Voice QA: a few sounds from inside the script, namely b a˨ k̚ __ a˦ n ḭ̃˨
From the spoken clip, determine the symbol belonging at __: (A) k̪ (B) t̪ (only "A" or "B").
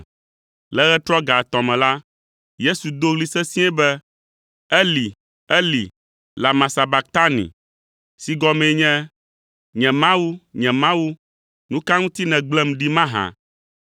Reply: B